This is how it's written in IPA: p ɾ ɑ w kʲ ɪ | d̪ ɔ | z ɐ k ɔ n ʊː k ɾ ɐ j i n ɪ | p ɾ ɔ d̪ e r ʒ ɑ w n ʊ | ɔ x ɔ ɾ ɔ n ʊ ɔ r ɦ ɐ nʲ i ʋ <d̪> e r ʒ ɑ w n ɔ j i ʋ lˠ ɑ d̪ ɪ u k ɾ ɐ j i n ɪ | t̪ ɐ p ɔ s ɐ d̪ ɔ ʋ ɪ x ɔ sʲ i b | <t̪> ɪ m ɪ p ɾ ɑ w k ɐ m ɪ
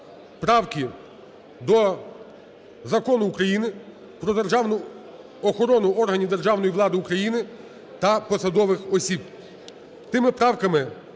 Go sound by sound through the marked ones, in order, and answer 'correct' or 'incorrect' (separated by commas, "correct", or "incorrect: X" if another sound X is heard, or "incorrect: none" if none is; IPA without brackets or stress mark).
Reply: correct, correct